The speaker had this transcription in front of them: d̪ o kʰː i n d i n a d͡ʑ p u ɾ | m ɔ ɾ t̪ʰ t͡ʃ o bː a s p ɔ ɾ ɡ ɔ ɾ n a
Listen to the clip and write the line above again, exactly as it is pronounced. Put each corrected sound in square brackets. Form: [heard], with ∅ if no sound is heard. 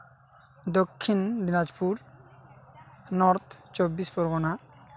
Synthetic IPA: d̪ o kʰː i n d i n a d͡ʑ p u ɾ | [n] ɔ ɾ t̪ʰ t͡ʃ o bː [i] s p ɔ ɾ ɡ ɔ [∅] n a